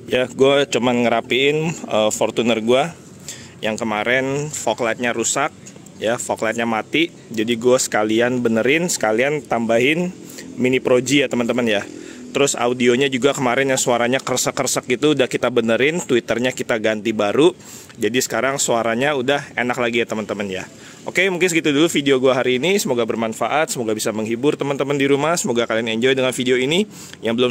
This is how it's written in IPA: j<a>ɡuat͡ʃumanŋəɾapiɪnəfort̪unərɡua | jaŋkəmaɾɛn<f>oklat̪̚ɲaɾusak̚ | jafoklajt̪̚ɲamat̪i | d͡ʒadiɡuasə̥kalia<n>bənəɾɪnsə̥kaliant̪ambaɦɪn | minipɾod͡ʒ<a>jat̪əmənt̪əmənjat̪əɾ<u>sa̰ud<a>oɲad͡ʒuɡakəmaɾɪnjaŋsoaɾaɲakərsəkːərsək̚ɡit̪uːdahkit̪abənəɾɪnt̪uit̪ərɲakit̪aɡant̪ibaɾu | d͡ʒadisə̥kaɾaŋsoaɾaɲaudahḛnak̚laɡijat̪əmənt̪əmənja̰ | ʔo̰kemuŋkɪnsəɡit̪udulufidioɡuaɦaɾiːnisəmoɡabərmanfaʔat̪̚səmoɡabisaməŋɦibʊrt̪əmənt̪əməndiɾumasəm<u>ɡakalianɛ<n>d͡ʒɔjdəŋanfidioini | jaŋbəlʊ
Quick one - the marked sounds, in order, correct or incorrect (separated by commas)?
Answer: correct, correct, correct, incorrect, incorrect, incorrect, incorrect, incorrect